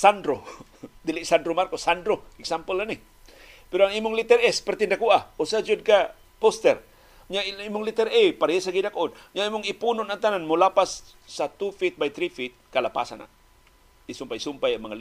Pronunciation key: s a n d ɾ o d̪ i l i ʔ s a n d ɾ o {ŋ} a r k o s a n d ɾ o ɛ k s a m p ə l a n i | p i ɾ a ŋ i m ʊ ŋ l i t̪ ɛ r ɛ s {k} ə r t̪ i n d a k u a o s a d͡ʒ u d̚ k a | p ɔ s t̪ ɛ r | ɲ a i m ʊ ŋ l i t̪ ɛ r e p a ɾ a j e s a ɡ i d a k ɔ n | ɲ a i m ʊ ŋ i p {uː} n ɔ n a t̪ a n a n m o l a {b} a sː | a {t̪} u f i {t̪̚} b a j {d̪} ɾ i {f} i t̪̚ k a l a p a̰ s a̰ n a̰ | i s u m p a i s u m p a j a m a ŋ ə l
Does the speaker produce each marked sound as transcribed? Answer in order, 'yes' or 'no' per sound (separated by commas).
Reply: no, no, no, no, yes, yes, no, yes